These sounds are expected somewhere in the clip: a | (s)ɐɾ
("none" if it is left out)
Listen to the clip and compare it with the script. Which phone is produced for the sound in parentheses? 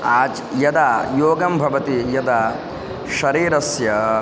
ʃ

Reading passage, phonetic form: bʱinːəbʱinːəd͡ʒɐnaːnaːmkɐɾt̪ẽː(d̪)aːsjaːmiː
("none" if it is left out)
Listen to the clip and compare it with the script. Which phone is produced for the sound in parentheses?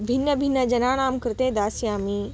d̪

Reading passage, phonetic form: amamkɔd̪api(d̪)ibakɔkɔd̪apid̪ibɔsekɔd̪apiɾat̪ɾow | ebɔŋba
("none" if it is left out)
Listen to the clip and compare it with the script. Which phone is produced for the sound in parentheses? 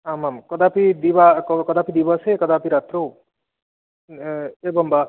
d̪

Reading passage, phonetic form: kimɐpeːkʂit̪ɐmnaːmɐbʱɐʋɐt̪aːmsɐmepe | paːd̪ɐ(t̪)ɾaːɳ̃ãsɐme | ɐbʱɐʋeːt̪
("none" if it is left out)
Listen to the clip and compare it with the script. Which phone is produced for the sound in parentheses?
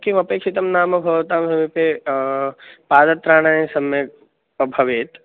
t̪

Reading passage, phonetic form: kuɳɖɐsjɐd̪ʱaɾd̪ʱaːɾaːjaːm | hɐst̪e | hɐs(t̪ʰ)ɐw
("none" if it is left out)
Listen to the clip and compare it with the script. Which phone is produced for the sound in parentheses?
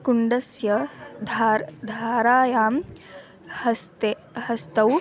t̪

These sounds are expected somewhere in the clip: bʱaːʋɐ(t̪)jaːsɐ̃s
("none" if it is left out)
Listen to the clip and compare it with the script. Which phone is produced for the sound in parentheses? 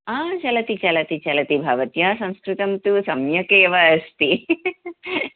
t̪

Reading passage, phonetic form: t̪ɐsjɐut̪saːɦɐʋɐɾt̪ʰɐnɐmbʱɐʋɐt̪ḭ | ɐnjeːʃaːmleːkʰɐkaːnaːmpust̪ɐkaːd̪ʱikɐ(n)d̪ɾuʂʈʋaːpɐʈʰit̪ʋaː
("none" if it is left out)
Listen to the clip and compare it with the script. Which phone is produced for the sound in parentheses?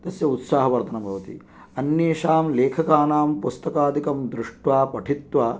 m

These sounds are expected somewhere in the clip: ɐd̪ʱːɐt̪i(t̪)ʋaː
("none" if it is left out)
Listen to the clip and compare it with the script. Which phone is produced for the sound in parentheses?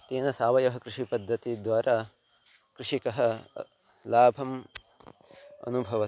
d̪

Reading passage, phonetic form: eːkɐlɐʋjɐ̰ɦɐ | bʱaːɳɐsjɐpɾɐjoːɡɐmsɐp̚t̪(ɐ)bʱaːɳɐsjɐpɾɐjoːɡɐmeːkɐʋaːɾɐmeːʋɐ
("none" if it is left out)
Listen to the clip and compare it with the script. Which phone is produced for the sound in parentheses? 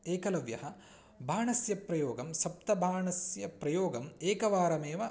ɐ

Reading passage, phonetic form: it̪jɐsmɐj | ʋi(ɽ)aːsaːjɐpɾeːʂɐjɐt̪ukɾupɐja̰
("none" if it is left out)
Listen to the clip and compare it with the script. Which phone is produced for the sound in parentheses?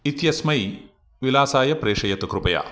l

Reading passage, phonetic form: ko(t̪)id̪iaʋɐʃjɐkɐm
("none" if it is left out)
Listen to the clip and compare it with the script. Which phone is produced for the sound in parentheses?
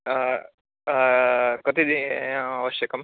t̪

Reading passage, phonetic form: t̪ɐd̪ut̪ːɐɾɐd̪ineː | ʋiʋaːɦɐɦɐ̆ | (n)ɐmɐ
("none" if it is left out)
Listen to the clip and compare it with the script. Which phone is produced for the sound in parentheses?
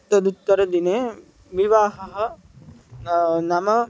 n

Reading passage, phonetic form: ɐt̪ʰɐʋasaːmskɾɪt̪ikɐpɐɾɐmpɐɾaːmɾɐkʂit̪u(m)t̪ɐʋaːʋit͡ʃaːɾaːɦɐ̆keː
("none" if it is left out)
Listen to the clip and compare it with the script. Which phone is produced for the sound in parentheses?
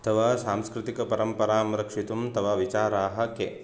m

